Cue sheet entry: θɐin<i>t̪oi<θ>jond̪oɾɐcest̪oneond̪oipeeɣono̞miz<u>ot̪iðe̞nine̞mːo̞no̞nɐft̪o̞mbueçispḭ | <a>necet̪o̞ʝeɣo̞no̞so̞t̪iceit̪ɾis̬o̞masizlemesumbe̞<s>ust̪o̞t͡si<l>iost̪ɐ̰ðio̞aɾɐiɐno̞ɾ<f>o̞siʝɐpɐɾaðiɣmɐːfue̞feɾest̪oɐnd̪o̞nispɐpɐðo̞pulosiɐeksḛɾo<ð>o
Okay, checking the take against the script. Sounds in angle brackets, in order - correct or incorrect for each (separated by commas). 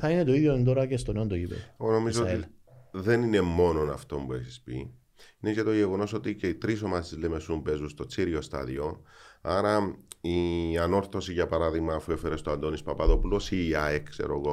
incorrect, incorrect, incorrect, incorrect, incorrect, incorrect, incorrect, incorrect